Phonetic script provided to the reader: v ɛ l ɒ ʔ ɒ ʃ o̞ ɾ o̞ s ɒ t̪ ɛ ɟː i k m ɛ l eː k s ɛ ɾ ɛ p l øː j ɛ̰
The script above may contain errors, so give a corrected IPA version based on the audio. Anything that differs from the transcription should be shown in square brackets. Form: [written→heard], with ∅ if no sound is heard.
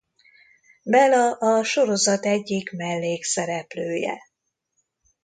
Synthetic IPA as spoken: [v→b] ɛ l ɒ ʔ ɒ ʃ o̞ ɾ o̞ [s→z] ɒ t̪ ɛ ɟː i k m ɛ [l→lː] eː k s ɛ ɾ ɛ p l øː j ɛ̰